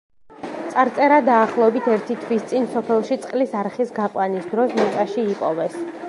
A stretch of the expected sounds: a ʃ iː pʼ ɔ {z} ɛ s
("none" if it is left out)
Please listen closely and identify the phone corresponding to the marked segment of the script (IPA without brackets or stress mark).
v